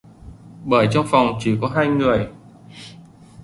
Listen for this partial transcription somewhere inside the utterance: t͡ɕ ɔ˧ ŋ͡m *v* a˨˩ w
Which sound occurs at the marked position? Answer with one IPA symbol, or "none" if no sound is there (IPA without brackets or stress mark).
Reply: f